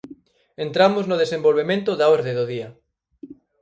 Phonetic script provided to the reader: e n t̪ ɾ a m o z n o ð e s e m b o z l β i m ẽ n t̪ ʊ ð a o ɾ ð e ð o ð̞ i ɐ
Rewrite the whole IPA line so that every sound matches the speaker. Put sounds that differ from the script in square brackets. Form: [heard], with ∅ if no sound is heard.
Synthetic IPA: e n t̪ ɾ a m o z n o ð e s e m b o [∅] l β [e] m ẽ n t̪ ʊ ð a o ɾ ð e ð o ð̞ i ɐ

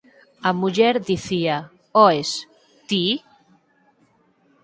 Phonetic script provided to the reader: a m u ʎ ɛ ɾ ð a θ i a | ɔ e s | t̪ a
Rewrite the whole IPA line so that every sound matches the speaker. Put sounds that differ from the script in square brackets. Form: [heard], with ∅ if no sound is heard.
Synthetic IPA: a m u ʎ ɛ ɾ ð [i] θ i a | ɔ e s | t̪ [i]

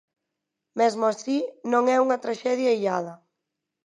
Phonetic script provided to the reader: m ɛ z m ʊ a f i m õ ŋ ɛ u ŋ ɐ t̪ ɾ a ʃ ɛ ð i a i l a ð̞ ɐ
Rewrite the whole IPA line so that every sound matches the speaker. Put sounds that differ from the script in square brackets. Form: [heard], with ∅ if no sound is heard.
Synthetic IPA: m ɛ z m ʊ a [s] i [n] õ ŋ ɛ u ŋ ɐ t̪ ɾ a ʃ ɛ ð [j] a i [ʎ] a ð̞ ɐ

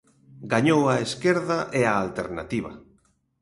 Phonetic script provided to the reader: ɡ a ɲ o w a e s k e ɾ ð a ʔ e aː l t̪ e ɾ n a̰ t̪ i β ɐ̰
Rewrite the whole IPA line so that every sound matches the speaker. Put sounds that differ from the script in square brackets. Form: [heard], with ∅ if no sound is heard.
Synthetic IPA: ɡ a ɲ o w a e s k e ɾ ð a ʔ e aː l t̪ e ɾ n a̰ t̪ i β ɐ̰

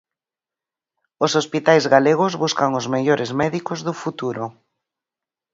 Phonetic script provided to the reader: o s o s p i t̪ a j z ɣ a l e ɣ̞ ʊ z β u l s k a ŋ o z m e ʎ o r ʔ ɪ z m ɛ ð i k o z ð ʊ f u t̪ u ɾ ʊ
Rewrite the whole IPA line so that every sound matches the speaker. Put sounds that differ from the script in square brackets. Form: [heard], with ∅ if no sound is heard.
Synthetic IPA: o s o s p i t̪ a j z ɣ a l e ɣ̞ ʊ z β u [∅] s k a ŋ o z m e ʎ o [ɾ] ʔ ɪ z m ɛ ð i k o z ð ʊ f u t̪ u ɾ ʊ

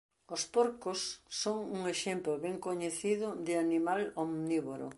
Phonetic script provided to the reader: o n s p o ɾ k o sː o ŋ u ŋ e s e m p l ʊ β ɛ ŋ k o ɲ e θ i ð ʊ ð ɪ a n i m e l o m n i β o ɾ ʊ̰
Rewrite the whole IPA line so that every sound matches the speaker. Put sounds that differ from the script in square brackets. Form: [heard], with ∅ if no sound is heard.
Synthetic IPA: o [∅] s p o ɾ k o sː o ŋ u ŋ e [ʃ] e m p l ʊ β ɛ ŋ k o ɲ e θ i ð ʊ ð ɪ a n i m [a] l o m n i β o ɾ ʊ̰

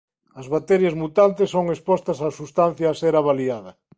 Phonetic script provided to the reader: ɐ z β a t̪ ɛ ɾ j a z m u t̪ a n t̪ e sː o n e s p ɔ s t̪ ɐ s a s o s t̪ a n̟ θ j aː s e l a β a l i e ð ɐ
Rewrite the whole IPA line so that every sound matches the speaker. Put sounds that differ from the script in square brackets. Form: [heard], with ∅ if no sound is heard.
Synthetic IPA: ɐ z β a t̪ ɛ ɾ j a z m u t̪ a n t̪ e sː o [ŋ] e s p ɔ s t̪ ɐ s a s [u] s t̪ a n̟ θ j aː s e [ɾ] a β a l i [a] ð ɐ

